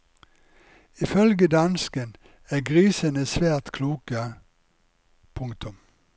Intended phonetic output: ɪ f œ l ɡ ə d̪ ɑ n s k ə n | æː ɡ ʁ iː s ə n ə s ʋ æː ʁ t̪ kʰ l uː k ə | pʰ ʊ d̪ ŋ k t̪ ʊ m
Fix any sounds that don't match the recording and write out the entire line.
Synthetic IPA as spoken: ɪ f œ l ɡ ə d̪ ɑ n s k ə n | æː ɡ ʁ iː s ə n ə s ʋ æː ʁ t̪ kʰ l uː k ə | pʰ ʊ ŋ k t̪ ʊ m